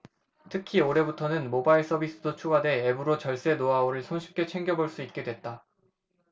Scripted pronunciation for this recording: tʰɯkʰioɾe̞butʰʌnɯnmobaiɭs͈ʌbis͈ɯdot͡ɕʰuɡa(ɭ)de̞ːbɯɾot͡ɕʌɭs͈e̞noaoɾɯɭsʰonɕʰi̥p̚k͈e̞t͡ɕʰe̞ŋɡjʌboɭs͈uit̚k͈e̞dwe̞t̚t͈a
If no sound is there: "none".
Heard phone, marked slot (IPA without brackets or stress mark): none